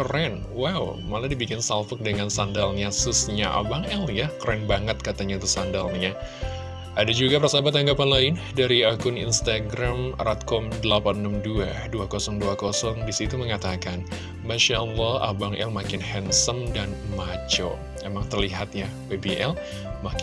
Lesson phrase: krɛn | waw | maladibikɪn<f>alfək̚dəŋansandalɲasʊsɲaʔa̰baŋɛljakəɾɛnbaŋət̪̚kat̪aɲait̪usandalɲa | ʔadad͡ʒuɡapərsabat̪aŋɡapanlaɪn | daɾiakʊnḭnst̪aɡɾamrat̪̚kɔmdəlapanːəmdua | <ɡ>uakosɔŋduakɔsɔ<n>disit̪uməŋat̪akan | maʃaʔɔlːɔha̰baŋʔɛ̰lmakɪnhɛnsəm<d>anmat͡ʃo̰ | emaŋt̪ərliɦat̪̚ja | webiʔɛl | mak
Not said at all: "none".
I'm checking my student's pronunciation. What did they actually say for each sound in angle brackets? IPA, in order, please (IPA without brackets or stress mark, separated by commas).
s, d, ŋ, d